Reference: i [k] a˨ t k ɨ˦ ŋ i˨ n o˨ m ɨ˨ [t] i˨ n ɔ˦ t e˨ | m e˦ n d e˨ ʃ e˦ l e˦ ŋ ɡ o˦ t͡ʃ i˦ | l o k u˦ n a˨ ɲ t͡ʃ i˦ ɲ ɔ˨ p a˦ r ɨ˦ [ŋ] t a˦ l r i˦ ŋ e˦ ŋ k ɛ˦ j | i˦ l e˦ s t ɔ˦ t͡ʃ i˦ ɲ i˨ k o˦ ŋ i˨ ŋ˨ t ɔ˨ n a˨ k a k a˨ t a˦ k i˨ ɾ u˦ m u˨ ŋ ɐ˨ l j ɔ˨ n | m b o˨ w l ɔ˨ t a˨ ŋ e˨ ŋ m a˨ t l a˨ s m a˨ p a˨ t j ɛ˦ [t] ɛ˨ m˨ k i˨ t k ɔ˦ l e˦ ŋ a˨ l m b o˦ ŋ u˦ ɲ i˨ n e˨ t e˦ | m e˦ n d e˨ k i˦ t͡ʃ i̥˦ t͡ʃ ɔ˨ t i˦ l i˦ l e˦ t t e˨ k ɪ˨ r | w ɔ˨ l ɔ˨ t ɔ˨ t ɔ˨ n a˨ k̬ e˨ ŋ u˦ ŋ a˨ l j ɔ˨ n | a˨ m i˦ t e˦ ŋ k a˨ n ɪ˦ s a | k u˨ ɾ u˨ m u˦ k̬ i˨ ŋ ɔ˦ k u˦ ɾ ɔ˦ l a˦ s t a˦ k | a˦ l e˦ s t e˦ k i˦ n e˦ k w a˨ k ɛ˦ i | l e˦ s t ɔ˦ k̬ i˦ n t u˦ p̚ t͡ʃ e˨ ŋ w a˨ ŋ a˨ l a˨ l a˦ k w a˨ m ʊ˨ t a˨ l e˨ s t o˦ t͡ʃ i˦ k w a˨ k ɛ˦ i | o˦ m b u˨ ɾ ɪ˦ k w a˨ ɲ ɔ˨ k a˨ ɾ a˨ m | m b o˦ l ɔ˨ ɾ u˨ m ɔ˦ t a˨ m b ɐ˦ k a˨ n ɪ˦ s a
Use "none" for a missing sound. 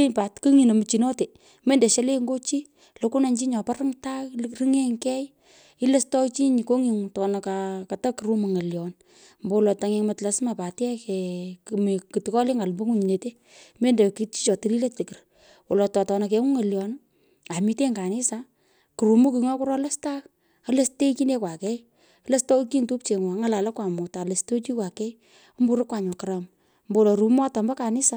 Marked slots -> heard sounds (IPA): p, t͡ʃ, ŋ, k

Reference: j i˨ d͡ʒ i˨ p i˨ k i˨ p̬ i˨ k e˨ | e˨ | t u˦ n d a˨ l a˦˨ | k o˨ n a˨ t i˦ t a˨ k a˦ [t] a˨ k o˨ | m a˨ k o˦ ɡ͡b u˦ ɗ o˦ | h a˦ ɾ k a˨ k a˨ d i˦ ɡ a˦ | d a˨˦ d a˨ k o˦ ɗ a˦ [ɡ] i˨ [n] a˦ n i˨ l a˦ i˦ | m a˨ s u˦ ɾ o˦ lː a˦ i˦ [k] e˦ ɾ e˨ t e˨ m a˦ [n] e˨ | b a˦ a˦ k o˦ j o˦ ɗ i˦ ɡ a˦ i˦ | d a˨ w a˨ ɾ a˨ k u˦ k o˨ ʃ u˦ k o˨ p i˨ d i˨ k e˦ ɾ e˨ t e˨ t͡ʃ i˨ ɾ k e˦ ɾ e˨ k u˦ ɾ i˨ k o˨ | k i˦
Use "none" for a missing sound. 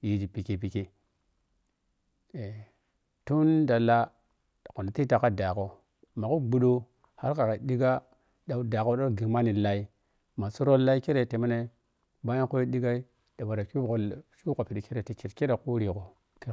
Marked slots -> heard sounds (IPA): d, ɡ, m, k, n

